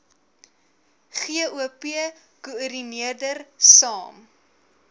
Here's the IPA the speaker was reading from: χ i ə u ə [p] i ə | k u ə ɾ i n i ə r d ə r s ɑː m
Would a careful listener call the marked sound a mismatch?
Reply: no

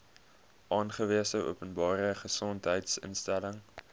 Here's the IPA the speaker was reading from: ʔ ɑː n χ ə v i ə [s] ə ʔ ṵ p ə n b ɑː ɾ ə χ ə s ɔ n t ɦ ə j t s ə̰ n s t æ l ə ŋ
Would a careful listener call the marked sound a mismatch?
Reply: no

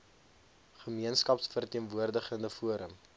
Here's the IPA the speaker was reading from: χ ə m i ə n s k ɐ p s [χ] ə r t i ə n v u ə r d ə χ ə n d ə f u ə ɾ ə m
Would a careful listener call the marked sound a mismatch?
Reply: yes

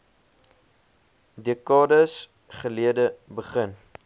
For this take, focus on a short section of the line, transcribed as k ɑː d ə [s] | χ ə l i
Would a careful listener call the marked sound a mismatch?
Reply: no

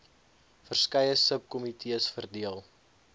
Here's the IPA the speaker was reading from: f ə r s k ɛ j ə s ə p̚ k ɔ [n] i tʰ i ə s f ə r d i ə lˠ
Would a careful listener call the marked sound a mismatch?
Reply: yes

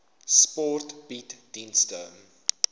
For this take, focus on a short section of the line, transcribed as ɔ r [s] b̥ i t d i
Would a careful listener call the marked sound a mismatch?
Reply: yes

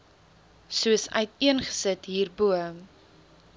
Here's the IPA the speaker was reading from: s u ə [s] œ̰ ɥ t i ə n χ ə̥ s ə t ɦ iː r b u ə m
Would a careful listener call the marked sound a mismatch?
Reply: no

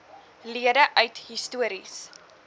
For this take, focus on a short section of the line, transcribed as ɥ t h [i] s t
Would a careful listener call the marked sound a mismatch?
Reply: no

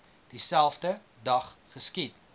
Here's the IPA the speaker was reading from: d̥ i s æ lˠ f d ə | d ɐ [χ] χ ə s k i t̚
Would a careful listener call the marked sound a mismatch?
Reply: no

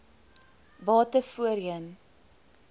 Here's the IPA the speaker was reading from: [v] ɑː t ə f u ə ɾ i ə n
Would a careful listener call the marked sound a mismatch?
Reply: yes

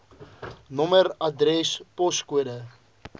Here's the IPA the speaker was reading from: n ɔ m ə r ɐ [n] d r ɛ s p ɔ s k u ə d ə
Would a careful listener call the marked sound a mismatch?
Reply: yes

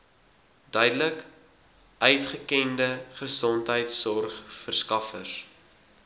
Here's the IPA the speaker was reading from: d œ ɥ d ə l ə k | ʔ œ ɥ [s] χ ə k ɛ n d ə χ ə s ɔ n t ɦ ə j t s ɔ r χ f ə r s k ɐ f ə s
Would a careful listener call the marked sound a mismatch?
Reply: yes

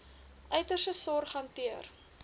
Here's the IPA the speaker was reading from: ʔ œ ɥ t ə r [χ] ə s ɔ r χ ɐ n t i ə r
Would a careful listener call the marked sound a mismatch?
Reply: yes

